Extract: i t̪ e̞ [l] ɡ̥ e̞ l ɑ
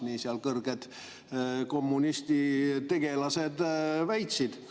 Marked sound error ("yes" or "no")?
yes